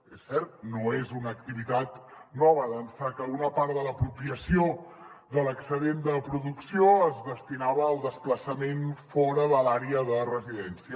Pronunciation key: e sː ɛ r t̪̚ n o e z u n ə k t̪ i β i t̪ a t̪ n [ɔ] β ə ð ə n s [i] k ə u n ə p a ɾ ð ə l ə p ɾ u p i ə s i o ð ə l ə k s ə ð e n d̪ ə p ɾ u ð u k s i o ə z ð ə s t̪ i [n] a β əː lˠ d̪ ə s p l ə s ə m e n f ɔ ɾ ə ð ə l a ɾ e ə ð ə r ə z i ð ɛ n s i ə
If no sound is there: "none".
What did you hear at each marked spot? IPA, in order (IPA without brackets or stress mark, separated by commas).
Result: ɔ, a, n